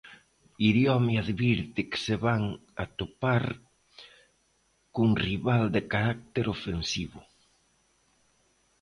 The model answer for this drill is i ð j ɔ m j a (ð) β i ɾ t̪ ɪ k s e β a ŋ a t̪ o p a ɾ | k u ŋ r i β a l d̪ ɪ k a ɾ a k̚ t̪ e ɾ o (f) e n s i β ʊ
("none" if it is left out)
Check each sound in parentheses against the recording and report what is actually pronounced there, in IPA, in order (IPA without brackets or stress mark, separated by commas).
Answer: ð, f